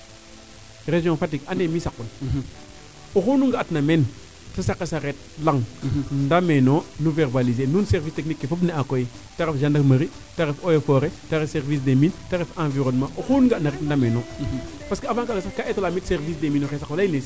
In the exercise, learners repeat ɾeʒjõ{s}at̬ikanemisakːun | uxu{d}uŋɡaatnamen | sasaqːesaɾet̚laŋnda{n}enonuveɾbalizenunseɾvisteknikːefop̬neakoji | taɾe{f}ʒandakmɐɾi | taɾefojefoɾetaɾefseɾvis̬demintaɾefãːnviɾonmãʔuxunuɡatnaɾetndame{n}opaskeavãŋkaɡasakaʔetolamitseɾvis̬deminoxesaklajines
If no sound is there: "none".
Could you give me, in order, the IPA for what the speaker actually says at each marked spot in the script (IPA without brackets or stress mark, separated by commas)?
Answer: f, n, m, f, n